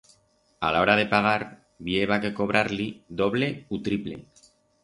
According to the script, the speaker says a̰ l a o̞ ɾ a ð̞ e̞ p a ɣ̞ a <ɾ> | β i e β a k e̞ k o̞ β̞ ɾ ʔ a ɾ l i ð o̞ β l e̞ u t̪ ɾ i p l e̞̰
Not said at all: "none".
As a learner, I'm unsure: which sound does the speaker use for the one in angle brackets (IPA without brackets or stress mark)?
ɾ